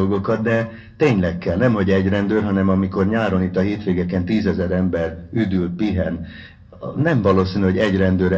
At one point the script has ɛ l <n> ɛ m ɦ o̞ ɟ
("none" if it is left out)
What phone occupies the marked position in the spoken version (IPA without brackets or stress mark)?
n